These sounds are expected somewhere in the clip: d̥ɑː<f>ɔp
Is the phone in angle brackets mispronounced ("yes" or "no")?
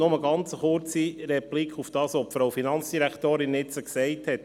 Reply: yes